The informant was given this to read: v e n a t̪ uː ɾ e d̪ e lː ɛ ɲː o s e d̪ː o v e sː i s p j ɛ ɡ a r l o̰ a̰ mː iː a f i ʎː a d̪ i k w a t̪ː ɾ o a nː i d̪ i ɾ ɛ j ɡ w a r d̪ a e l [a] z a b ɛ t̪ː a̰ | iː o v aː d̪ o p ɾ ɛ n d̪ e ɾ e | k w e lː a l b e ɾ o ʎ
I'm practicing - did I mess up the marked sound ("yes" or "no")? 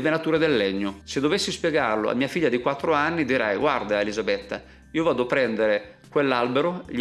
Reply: yes